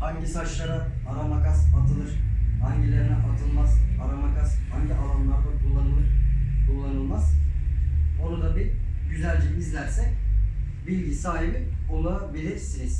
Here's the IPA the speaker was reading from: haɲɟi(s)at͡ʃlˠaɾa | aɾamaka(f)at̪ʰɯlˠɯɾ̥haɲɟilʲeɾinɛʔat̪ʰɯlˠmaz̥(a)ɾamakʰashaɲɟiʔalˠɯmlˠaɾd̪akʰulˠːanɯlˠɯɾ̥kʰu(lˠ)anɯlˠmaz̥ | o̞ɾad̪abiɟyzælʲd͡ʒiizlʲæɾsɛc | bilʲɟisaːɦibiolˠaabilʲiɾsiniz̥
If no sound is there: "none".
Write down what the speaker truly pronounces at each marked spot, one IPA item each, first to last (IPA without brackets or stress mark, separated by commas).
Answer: s, s, a, lˠː